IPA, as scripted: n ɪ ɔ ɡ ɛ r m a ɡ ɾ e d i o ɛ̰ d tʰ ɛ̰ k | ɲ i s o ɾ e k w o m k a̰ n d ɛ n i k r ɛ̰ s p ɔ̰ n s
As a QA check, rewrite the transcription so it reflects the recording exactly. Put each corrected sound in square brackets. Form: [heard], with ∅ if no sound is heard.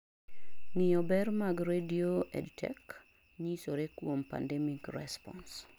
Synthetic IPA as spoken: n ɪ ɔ [b] ɛ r m a ɡ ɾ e d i o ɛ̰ d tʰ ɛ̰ k | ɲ i s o ɾ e k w o m [p] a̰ n d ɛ [m] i k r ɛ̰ s p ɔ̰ n s

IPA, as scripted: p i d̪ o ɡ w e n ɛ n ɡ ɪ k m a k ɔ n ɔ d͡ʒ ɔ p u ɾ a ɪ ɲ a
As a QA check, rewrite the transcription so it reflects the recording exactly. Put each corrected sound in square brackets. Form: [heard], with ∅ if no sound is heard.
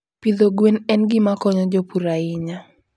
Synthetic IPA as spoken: p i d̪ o ɡ w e n ɛ n ɡ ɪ [∅] m a k ɔ [ɲ] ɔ d͡ʒ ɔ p u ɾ a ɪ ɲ a

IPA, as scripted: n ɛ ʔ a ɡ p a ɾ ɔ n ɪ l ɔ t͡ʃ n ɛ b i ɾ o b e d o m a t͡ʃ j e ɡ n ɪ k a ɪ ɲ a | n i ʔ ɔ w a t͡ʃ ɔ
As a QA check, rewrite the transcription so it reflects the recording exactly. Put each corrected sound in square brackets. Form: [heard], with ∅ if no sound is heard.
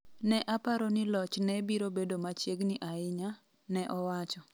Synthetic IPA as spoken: n ɛ ʔ a [∅] p a ɾ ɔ n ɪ l ɔ t͡ʃ n ɛ b i ɾ o b e d o m a t͡ʃ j e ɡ n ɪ [ʔ] a ɪ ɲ a | n [ɛ] ʔ ɔ w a t͡ʃ ɔ

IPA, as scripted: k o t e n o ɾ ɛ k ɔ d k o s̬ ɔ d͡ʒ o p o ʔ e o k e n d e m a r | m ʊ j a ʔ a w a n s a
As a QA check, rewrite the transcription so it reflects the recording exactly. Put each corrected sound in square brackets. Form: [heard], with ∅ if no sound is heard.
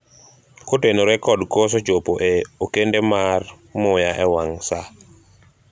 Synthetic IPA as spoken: k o t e n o ɾ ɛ k ɔ d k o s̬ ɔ d͡ʒ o p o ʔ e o k e n d e m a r | m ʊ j a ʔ [ɛ] w a [ŋ] s a

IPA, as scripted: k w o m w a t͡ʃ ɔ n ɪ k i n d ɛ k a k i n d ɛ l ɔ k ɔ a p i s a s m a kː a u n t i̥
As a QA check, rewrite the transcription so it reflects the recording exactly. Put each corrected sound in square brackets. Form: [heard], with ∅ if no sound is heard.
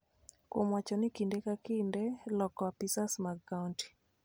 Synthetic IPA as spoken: k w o m w a t͡ʃ ɔ n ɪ k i n d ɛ k a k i n d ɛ l ɔ k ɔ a p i s a s m a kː a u n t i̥

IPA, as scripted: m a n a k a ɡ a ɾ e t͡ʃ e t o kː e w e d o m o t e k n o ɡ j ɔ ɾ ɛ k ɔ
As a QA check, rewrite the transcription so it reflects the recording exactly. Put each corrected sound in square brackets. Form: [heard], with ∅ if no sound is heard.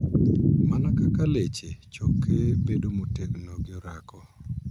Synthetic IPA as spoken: m a n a k a [k] a [l] e t͡ʃ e [t͡ʃ] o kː e [b] e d o m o t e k n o ɡ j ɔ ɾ [a] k ɔ

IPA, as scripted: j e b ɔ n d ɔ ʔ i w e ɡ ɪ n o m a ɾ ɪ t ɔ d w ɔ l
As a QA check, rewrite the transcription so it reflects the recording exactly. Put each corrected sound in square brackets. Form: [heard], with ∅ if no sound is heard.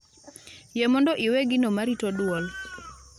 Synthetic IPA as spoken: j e [m] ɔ n d ɔ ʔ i w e ɡ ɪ n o m a ɾ [i] t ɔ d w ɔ l

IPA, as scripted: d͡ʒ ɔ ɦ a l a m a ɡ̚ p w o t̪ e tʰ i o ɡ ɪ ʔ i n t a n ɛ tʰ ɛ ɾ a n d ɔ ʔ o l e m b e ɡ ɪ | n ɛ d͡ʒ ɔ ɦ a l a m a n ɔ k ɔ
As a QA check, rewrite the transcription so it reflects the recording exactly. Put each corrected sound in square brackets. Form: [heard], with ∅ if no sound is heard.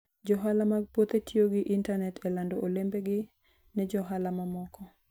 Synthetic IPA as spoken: d͡ʒ ɔ ɦ a l a m a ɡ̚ p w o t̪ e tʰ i o ɡ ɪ ʔ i n t a n ɛ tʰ ɛ [l] a n d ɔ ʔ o l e m b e ɡ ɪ | n ɛ d͡ʒ ɔ ɦ a l a m a [m] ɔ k ɔ

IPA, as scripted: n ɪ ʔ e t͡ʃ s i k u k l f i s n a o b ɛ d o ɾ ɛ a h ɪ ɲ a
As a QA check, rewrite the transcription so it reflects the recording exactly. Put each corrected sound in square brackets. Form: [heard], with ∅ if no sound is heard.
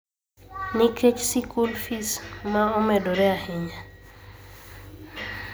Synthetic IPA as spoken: n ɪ [k] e t͡ʃ s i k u [∅] l f i s [m] a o [m] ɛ d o ɾ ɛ a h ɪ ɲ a

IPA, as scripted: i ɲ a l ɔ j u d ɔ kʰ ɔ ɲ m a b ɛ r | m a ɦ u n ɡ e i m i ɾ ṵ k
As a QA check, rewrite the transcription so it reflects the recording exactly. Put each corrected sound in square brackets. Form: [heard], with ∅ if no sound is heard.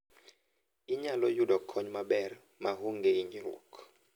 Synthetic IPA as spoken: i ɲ a l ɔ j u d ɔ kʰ ɔ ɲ m a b ɛ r | m a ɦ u [ŋ] ɡ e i [ɲ] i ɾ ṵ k

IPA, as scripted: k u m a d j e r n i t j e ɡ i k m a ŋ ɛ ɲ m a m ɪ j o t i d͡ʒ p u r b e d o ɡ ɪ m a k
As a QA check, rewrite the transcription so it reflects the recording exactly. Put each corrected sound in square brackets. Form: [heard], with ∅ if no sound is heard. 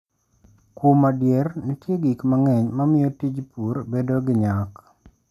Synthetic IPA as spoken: k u m a d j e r n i t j e ɡ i k m a ŋ ɛ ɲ m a m ɪ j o t i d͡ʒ p u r b e d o ɡ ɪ [ɲ] a k

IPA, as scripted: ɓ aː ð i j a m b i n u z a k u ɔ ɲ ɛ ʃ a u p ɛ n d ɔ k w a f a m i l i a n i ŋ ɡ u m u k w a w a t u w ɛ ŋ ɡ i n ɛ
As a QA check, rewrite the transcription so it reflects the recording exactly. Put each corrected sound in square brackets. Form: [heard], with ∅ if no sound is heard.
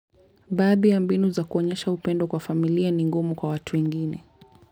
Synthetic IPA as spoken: ɓ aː ð i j a m b i n u z a k u ɔ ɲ ɛ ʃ a u p ɛ n d ɔ k w a f a m i l i a n i ŋ ɡ u m u k w a w a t u w ɛ ŋ ɡ i n ɛ

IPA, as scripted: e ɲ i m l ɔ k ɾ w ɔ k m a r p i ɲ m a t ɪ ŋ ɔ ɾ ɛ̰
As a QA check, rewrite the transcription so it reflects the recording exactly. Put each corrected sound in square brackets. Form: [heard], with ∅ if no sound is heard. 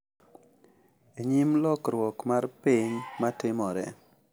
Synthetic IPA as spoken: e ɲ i m l ɔ k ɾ w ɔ k m a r p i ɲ m a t ɪ [m] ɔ ɾ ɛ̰

